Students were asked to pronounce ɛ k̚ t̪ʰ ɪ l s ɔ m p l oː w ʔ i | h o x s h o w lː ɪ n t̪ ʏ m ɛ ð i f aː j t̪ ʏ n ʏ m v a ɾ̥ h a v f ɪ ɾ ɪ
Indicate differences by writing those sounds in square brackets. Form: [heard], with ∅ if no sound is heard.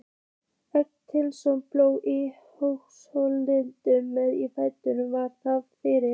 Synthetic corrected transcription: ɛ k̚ t̪ʰ ɪ l s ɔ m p l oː w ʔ i | h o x s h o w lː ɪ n t̪ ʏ m ɛ ð i f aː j t̪ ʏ n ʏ m v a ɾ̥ [θ] a v f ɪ ɾ ɪ